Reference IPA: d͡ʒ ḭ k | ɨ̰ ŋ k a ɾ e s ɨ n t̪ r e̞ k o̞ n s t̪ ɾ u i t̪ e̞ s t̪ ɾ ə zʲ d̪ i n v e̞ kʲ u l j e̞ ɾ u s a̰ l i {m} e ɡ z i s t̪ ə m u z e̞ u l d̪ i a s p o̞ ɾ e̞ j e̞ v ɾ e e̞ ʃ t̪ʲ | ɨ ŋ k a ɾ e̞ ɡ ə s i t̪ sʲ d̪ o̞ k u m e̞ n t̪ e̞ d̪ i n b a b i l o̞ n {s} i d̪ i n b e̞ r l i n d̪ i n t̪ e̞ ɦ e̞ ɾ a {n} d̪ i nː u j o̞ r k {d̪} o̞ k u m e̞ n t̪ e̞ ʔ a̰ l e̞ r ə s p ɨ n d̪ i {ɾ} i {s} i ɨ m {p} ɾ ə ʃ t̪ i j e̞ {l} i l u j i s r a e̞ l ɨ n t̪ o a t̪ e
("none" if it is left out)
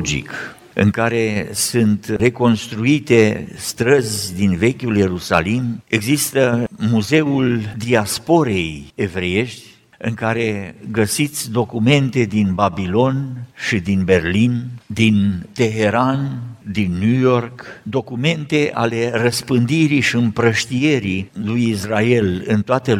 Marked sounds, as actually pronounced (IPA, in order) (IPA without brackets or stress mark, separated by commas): m, ʃ, n, d̪, ɾ, ʃ, p, ɾ